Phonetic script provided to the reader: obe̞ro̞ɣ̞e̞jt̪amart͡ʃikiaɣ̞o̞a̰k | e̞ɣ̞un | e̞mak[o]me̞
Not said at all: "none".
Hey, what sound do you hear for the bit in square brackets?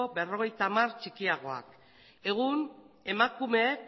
u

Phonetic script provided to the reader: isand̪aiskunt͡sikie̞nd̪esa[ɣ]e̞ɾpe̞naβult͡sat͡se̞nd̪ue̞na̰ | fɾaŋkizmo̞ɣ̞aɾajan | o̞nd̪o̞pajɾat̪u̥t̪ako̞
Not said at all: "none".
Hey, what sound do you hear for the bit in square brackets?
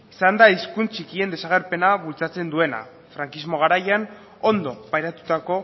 ɣ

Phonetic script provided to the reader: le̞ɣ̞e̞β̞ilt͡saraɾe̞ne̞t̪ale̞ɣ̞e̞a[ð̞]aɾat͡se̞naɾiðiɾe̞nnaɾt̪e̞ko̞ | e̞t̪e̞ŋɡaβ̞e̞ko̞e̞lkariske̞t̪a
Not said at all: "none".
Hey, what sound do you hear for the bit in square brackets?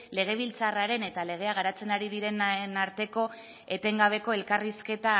ɣ̞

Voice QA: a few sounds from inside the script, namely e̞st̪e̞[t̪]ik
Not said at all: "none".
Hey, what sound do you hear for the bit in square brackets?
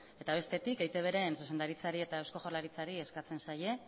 t̪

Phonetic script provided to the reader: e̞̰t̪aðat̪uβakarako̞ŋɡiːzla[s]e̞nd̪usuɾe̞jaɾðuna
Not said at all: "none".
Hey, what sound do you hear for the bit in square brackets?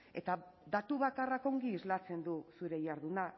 t͡s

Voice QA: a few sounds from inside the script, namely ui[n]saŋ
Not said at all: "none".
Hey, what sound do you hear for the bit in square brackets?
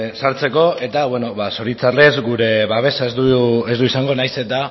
none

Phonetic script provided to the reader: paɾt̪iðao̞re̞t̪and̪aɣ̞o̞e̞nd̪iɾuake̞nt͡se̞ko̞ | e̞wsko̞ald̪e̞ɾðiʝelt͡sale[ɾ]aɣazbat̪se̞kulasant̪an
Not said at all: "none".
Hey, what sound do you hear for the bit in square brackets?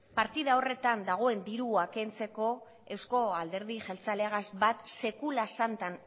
none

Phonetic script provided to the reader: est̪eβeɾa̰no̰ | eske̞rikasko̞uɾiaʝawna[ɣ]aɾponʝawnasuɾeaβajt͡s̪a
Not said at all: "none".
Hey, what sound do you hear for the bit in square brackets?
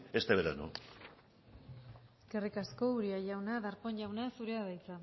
ð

